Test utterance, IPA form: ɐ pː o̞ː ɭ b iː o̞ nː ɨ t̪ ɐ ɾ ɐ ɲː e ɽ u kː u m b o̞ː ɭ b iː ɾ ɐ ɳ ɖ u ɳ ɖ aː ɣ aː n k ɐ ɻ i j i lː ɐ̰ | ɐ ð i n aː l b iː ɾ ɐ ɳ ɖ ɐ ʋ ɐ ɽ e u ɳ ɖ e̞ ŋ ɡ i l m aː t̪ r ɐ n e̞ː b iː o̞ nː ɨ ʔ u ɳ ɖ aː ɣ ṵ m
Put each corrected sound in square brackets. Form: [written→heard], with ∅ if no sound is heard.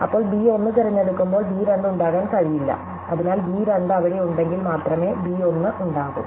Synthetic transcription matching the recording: ɐ pː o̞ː ɭ b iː o̞ nː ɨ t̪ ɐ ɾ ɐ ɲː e ɽ u kː u m b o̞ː ɭ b iː ɾ ɐ ɳ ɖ u ɳ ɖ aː ɣ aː n k ɐ ɻ i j i lː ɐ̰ | ɐ ð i n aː l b iː ɾ ɐ ɳ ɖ ɐ ʋ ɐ ɽ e u ɳ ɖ e̞ ŋ ɡ i l m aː t̪ r ɐ [n→m] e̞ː b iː o̞ nː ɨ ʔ u ɳ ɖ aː ɣ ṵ m